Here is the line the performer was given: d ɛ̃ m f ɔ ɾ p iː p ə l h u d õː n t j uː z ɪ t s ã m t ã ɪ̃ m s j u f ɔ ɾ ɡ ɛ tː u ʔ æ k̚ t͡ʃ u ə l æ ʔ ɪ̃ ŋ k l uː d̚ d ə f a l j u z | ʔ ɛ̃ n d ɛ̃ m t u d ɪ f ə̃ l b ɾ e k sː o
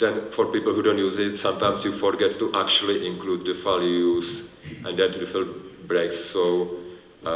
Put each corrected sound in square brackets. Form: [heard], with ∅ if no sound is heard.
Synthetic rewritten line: d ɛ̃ [n] f ɔ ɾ p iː p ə l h u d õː n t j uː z ɪ t s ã m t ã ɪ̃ m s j u f ɔ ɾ ɡ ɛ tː u ʔ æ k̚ t͡ʃ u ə l [i] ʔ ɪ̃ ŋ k l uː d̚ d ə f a l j u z | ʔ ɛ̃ n d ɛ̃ [n] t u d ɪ f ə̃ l b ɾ e k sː o